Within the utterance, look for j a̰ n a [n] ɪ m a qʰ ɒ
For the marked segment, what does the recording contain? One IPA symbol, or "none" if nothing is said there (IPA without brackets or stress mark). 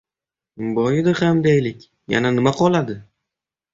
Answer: n